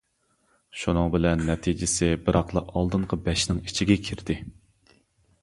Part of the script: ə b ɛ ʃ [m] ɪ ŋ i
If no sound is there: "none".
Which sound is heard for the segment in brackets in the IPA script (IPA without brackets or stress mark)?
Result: n